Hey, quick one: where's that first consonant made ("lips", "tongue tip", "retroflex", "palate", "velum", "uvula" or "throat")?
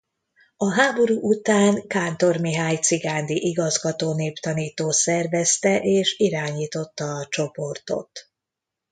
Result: throat